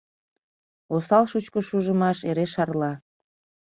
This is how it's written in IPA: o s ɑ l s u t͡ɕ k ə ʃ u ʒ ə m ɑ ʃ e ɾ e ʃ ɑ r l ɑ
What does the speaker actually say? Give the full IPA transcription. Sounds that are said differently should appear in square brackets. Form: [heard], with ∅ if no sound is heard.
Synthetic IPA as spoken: o s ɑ l [ʃ] u t͡ɕ k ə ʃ u ʒ ə m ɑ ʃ e ɾ e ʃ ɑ r l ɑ

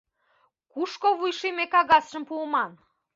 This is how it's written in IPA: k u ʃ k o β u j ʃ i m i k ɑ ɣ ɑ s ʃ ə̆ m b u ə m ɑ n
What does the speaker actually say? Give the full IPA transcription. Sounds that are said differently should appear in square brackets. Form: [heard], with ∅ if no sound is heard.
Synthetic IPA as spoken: k u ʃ k o β u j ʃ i m [e] k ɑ ɣ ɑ s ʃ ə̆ m [p] u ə m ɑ n

